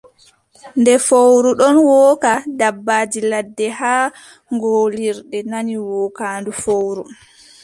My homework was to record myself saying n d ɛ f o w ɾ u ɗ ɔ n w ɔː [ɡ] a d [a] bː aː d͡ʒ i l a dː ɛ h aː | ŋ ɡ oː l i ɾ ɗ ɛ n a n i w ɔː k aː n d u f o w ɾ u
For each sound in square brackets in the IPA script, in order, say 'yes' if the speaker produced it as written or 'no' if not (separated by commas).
no, yes